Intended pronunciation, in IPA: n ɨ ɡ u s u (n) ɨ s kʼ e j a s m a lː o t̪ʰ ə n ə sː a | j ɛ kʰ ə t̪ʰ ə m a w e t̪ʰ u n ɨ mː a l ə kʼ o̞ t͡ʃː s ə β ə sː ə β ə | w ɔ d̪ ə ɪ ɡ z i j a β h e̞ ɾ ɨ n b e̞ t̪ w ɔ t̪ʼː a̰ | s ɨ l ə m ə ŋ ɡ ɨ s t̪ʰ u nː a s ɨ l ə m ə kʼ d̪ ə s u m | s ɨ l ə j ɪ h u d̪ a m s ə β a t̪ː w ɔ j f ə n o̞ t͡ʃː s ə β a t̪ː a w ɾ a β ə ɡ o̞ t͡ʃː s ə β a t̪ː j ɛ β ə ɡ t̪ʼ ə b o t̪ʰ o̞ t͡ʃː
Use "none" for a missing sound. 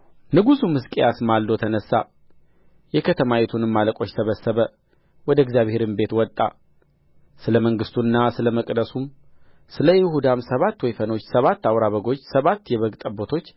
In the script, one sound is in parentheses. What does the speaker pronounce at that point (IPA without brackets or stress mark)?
m